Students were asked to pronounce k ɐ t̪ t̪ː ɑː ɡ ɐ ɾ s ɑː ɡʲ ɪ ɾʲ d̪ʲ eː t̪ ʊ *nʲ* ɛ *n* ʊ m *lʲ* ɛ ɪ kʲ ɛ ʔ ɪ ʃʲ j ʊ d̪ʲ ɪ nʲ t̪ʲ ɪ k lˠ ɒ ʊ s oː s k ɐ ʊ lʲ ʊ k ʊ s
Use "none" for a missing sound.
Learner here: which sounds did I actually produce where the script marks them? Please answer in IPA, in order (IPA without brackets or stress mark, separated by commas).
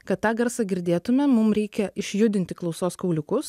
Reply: mʲ, m, ɾʲ